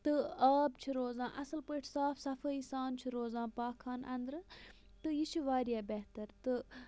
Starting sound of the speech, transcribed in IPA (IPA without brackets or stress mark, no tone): t̪